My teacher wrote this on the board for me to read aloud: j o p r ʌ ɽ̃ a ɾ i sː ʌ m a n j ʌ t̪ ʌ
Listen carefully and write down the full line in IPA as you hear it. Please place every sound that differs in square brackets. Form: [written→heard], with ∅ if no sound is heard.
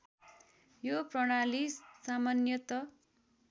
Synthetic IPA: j o p r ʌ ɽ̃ a [ɾ→l] i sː [ʌ→a] m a n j ʌ t̪ ʌ